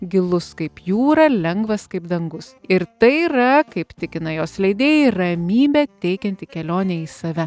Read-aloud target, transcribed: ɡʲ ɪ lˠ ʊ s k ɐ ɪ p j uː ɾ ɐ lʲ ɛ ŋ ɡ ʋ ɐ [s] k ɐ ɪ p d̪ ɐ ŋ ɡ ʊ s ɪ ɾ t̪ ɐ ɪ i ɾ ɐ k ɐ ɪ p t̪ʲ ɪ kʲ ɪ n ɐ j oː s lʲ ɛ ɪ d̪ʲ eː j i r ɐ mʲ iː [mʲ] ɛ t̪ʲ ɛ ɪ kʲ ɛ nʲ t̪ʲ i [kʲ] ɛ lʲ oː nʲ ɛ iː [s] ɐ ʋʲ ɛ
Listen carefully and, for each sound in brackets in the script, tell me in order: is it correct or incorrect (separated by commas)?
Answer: correct, incorrect, correct, correct